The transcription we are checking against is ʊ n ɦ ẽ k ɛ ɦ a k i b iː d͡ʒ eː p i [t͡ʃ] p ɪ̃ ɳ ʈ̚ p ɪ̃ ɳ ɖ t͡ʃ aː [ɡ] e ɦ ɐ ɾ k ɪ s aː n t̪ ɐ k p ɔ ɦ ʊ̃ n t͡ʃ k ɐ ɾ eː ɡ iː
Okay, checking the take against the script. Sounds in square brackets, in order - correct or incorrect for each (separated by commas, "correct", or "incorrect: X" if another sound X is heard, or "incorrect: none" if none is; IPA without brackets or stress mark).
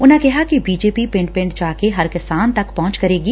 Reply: incorrect: none, incorrect: k